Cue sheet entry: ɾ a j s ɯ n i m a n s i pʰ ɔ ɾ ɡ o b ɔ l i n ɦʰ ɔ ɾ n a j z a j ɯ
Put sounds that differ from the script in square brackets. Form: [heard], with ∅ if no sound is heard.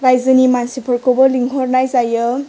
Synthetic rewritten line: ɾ a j [z] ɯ n i m a n s i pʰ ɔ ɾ [k] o b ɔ l i [ŋ] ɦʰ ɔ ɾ n a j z a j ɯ